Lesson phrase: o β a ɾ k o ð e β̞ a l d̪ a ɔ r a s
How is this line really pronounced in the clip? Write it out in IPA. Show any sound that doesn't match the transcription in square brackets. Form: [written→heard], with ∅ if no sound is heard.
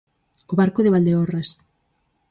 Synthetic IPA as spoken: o β a ɾ k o ð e β̞ a l d̪ [a→e] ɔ r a s